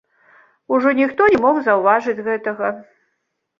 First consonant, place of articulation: retroflex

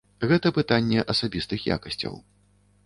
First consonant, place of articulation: velar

